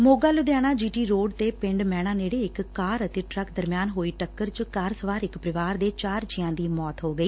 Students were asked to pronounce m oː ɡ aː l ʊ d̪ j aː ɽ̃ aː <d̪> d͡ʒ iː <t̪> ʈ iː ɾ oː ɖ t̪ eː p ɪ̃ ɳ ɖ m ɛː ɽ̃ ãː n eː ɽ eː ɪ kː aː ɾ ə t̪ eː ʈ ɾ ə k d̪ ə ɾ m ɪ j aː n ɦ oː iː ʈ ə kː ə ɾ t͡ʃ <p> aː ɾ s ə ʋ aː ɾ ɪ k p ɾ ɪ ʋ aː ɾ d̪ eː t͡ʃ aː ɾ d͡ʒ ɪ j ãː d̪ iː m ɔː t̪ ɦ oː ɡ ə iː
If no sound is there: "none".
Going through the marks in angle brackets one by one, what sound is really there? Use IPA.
none, none, k

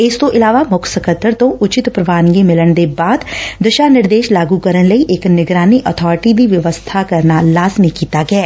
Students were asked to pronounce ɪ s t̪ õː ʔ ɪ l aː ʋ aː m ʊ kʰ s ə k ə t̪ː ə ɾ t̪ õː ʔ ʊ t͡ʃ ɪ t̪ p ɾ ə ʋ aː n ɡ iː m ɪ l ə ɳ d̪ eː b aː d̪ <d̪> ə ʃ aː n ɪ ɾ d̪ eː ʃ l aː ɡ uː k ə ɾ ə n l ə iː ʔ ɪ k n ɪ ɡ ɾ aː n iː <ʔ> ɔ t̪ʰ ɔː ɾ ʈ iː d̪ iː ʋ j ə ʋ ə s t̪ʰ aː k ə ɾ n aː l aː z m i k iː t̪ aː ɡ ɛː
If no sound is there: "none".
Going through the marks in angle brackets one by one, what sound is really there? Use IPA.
d̪, ʔ

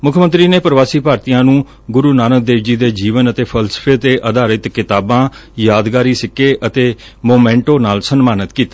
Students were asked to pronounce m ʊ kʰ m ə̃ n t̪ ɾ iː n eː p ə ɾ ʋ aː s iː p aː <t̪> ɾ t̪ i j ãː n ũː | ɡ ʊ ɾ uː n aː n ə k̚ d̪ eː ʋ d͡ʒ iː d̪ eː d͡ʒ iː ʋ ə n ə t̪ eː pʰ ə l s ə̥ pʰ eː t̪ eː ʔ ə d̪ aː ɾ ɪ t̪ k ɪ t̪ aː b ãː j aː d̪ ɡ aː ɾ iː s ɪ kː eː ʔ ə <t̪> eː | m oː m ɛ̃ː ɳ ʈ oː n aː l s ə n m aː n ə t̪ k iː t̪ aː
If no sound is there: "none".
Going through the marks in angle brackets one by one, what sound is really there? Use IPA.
none, t̪

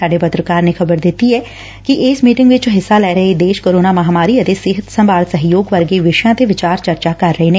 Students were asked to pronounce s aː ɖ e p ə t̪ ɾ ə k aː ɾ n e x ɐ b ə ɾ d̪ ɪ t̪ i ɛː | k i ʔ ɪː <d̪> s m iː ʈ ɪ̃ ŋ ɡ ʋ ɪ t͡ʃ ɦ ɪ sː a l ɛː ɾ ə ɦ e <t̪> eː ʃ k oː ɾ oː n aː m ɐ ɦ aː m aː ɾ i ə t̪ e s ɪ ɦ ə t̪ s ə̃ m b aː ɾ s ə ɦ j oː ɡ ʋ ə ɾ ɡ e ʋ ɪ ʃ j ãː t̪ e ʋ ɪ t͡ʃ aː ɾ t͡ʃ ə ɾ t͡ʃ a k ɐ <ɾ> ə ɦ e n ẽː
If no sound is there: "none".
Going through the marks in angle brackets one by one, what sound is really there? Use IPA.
none, d̪, ɾː

